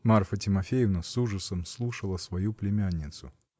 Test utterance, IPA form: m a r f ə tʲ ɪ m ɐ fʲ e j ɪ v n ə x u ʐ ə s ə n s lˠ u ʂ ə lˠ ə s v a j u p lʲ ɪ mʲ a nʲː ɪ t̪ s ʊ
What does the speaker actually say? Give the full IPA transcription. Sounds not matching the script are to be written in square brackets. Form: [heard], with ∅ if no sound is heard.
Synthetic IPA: m a r f ə tʲ ɪ m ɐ fʲ e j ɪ v n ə [s] u ʐ ə s ə [m] s lˠ u ʂ ə lˠ ə s v [ɐ] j u p lʲ ɪ mʲ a nʲː ɪ t̪ s ʊ